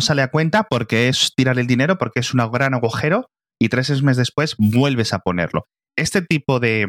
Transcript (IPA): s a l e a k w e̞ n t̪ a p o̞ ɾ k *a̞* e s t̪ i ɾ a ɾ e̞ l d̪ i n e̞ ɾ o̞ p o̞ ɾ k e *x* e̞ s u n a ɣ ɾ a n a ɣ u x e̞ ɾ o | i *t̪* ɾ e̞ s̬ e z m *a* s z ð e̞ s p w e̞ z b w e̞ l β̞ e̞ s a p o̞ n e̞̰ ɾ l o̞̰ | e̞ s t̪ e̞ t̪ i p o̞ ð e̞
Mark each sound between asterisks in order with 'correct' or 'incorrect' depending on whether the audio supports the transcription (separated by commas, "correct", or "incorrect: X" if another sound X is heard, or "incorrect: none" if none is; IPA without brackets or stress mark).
incorrect: e̞, incorrect: none, correct, incorrect: e